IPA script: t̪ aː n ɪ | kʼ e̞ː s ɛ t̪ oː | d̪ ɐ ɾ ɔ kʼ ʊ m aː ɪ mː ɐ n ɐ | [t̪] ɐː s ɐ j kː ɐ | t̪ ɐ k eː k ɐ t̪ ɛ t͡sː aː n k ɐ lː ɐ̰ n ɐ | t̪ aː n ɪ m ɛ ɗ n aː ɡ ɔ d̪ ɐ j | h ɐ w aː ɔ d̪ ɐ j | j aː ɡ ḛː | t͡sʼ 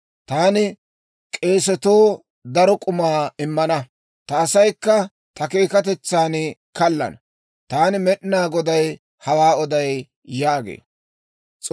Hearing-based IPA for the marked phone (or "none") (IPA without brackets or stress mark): t̪